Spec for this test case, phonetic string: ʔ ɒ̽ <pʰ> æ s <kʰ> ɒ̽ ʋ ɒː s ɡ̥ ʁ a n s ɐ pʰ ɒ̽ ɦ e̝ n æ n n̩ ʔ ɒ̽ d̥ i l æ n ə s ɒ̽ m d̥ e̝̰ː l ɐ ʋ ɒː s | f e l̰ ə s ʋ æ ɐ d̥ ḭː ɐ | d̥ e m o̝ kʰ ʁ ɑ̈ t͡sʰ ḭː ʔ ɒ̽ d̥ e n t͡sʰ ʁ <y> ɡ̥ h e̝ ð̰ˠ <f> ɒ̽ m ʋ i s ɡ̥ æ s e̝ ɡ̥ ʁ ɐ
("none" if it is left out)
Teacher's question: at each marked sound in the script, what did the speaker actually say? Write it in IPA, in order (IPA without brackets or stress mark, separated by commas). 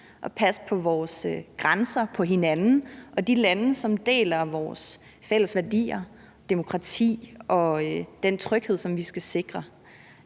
pʰ, pʰ, œ, s